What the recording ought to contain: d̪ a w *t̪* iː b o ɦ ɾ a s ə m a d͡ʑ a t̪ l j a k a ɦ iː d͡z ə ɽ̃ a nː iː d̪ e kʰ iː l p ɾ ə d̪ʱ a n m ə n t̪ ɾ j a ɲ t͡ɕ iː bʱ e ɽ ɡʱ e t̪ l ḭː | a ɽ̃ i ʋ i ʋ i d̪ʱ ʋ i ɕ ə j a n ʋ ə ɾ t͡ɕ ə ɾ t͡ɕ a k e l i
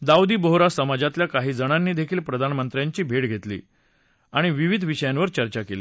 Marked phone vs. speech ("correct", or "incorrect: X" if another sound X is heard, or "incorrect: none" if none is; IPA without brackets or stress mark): incorrect: d̪